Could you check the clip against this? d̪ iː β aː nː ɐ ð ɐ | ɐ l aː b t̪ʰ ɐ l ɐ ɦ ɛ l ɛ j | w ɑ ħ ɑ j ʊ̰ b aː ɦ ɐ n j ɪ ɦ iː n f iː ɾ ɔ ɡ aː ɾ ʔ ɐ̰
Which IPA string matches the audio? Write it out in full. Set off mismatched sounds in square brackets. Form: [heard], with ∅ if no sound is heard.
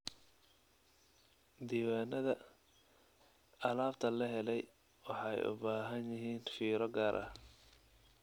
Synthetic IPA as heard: d̪ iː [w] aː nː ɐ ð ɐ | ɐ l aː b t̪ʰ ɐ l ɐ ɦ ɛ l ɛ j | w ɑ ħ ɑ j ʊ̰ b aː ɦ ɐ n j ɪ ɦ iː n f iː ɾ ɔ ɡ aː ɾ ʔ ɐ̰